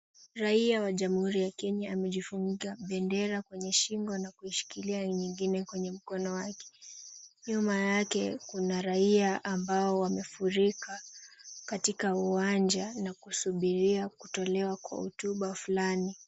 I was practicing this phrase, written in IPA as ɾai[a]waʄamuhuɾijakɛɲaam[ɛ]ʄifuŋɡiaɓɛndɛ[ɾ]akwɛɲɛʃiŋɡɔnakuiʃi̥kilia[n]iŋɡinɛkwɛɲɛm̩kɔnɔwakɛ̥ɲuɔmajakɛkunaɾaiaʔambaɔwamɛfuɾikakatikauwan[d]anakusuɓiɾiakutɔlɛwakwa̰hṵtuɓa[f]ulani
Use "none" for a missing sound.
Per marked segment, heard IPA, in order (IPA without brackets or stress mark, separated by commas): a, ɛ, ɾ, ɲ, d͡ʒ, f